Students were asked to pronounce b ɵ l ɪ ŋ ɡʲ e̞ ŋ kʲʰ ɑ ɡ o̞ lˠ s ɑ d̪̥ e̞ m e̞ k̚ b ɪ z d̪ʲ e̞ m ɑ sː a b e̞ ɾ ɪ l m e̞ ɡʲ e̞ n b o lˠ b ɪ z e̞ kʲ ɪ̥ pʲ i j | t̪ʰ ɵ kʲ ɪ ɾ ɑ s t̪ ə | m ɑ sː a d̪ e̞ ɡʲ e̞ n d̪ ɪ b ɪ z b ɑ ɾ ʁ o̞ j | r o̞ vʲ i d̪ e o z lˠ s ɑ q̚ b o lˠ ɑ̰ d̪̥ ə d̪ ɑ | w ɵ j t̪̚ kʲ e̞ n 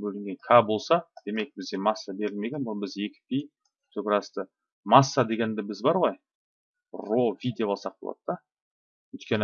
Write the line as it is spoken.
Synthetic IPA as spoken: b ɵ l ɪ ŋ ɡʲ e̞ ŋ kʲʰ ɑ b o̞ lˠ s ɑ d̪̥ e̞ m e̞ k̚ b ɪ z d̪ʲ e̞ m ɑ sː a b e̞ ɾ ɪ l m e̞ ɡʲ e̞ n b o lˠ b ɪ z e̞ kʲ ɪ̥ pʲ i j | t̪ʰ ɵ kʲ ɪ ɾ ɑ s t̪ ə | m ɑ sː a d̪ e̞ ɡʲ e̞ n d̪ ɪ b ɪ z b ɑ ɾ ʁ o̞ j | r o̞ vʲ i d̪ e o lˠ s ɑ q̚ b o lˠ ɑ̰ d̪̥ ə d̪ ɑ | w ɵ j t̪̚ kʲ e̞ n